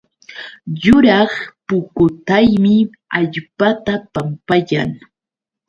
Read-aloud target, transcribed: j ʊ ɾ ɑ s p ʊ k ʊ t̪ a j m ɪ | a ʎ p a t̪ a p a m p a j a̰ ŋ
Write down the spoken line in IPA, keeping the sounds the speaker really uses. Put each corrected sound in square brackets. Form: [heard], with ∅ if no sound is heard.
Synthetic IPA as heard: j ʊ ɾ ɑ [χ] p ʊ k ʊ t̪ a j m ɪ | a ʎ p a t̪ a p a m p a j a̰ ŋ